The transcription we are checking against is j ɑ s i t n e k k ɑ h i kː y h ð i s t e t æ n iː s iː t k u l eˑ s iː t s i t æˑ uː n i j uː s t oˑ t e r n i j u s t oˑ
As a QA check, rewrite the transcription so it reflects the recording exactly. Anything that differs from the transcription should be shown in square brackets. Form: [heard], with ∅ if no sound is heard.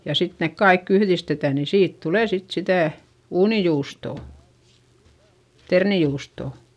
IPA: j ɑ s i t n e k k ɑ [∅] i kː y h ð i s t e t æ n [i] s iː t [t] u l eˑ s [i] t s i t æˑ uː n i j uː s t oˑ t e r n i j [uː] s t oˑ

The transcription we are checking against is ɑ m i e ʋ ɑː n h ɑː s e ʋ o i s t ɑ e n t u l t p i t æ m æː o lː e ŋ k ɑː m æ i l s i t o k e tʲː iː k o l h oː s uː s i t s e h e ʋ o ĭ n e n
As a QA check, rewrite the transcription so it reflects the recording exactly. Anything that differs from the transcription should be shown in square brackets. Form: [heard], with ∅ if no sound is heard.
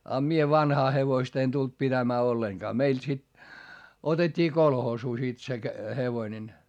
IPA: ɑ m i e ʋ [ɑ] n h ɑː [h] e ʋ o i s t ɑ e n t u l t p i t æ m æː o lː e ŋ k ɑː m [e] i l s i t o [t] e tʲː iː k o l h oː s uː s i t s e h e ʋ o ĭ n e n

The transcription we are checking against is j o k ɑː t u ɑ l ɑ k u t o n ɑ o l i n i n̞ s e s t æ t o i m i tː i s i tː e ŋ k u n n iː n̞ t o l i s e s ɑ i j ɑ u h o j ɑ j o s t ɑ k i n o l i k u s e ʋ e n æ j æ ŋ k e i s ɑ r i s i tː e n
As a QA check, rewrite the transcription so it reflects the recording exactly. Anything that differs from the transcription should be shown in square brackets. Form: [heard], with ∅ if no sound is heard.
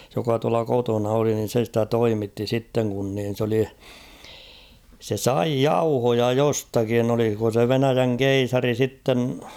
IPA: j o k [ɑ] t u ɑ l ɑ k [o] t o n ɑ o l i n i n̞ s e s t æ t o i m i tː i s i tː e ŋ k u n n iː n̞ [s] o l i s e s ɑ i j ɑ u h o j ɑ j o s t ɑ k i n o l i k [o] s e ʋ e n æ j æ ŋ k e i s ɑ r i s i tː e n

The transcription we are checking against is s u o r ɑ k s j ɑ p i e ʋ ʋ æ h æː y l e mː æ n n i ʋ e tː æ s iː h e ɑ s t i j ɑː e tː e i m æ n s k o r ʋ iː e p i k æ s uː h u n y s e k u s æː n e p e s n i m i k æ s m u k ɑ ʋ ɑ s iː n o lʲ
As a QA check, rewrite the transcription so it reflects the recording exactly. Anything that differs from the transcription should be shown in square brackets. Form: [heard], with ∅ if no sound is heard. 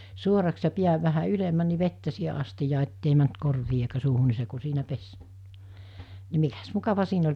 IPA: s u o r ɑ k s j ɑ p i [æ] ʋ ʋ æ h [æ] y l e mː æ n n i ʋ e tː æ s iː h e ɑ s t i j ɑː e tː e i m æ n [t] k o r ʋ iː e [∅] i k æ s uː h u n [i] s e k u s [iː] n [æ] p e s n i m i k æ s m u k ɑ ʋ ɑ s iː n o lʲ

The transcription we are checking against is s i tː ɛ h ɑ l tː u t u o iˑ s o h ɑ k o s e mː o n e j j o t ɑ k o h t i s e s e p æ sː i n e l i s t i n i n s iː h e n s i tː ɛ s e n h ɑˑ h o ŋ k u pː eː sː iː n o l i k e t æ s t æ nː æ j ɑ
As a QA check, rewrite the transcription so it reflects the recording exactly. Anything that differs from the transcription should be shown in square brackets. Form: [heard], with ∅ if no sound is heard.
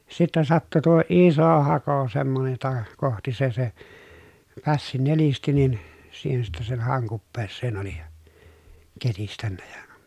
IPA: s i tː ɛ [s] ɑ [∅] tː u t u o iˑ s o h ɑ k o s e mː o n e j j o t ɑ k o h t i s e s e p æ sː i n e l i s t i n i n s iː h e n s i tː ɛ s e n h ɑˑ [∅] o ŋ k u pː eː sː [eː] n o l i k e t [i] s t æ nː æ j ɑ

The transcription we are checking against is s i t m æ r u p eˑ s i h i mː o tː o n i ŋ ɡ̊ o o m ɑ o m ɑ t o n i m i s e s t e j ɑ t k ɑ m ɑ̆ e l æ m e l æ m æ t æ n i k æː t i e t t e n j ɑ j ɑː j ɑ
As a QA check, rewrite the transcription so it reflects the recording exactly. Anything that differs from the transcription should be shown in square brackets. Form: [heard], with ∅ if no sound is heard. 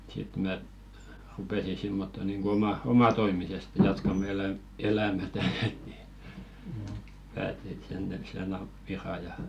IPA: s i t m æ r u p eˑ s i [s] i mː o tː o n i ŋ ɡ̊ o o m ɑ o m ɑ t o [∅] i m i s e s t e j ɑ t k ɑ m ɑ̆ e l æ m e l æ m æ t æ n i [p] æː t i e t [s] e n j ɑ j [ɑ] j ɑ

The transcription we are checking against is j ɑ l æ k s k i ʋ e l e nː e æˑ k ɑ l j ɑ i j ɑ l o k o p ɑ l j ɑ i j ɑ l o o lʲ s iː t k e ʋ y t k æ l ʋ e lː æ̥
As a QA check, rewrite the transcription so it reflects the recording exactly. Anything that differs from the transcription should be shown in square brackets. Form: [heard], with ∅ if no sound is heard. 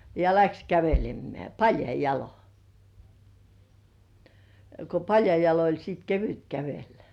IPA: j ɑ l æ k s k [æ] ʋ e l e [mː] e æˑ [p] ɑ l j ɑ i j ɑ l o k o p ɑ l j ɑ i j ɑ l o o lʲ s iː t k e ʋ y t k æ [∅] ʋ e lː æ̥

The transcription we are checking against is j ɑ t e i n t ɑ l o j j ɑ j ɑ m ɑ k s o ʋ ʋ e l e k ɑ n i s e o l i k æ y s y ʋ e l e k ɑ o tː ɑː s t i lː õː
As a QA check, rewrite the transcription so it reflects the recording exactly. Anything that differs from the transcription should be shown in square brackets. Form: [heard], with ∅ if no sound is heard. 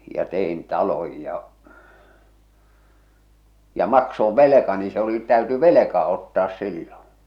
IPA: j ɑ t e i n t ɑ l o j j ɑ j ɑ m ɑ k s o ʋ ʋ e l e k ɑ n i s e o l i [t] æ y [t] y ʋ e l e k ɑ o tː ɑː s [s] i lː õː

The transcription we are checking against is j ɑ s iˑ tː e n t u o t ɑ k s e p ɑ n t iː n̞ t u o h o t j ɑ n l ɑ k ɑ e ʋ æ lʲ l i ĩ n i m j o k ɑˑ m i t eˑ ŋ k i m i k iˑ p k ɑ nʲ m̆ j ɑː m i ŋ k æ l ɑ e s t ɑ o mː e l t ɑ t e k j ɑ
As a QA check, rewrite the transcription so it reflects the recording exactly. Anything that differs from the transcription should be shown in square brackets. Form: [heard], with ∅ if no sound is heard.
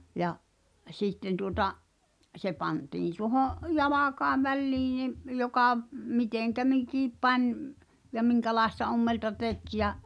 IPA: j ɑ s iˑ tː e n t u o t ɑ [ʔ] s e p ɑ n t iː n̞ t u o h o [ʔ] j ɑ [∅] l ɑ k ɑ e ʋ æ lʲ l [iː] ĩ n i m j o k ɑˑ m i t eˑ ŋ k [æ] m i k iˑ p [p] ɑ nʲ m̆ j [ɑ] m i ŋ k æ l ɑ e s t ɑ o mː e l t ɑ t e k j ɑ

